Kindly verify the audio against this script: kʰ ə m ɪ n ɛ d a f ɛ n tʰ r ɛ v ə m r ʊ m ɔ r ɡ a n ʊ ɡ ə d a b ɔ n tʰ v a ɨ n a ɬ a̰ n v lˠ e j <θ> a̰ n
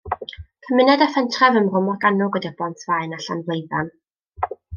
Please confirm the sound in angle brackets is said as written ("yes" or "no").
no